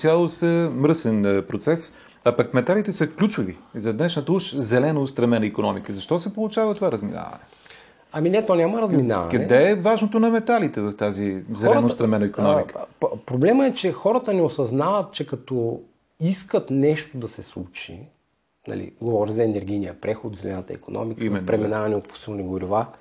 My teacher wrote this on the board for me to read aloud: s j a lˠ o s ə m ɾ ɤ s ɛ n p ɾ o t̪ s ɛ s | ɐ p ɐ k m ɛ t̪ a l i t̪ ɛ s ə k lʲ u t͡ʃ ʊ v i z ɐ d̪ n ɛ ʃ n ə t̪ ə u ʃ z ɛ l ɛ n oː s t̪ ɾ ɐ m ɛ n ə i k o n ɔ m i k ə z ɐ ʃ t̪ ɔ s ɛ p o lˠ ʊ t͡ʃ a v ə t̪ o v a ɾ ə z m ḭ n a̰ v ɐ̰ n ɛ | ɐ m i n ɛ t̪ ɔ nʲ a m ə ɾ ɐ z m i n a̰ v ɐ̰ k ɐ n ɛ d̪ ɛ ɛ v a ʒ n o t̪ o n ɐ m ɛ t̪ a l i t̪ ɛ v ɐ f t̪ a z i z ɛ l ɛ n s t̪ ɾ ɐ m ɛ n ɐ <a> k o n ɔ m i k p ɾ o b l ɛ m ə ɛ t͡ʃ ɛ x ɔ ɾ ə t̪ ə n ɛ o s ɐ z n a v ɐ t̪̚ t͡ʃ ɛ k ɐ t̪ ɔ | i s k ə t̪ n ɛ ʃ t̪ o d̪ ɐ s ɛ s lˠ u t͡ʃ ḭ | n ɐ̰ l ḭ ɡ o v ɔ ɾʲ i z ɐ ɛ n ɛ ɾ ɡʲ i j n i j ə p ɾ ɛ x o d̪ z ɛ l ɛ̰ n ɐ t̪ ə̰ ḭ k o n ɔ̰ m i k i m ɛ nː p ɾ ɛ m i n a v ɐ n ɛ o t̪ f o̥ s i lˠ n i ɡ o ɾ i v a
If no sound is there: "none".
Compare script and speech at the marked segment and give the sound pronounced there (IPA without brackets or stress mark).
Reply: i